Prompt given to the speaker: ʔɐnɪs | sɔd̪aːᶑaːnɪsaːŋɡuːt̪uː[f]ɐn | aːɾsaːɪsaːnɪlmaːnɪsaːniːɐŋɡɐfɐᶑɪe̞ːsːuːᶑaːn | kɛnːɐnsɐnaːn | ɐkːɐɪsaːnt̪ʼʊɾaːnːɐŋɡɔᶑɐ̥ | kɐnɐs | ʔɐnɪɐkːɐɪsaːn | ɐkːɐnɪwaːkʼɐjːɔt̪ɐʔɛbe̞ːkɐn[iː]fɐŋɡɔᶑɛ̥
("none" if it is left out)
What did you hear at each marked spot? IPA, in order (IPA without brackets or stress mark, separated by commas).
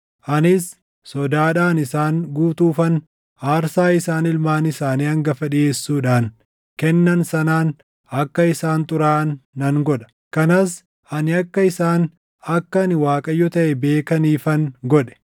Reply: f, iː